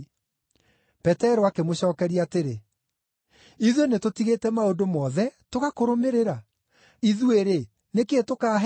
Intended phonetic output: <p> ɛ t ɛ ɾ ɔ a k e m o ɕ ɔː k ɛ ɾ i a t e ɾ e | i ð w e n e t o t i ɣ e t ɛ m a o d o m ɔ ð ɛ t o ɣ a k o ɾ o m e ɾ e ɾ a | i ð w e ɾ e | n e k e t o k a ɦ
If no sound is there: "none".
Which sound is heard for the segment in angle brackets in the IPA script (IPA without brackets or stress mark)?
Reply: p